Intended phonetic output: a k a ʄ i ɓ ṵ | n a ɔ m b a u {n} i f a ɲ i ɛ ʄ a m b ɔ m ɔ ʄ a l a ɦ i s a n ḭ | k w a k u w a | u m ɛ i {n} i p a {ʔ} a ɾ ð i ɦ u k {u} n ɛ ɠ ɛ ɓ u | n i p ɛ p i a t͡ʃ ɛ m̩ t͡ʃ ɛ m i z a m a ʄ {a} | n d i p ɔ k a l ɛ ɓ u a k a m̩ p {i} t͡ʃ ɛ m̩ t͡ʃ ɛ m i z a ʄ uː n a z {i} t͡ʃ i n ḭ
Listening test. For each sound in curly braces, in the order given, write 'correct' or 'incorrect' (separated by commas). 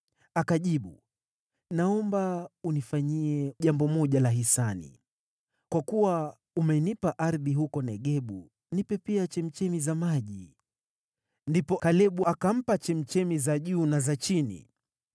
correct, correct, correct, incorrect, incorrect, incorrect, incorrect